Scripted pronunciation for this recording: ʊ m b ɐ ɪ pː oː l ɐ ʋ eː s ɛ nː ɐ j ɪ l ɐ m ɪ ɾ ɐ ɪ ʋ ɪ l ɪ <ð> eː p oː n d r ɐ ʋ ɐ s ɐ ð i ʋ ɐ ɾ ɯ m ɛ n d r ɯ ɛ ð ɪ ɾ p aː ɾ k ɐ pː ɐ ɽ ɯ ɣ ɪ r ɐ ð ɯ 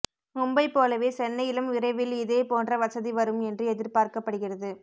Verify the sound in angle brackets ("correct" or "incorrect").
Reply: correct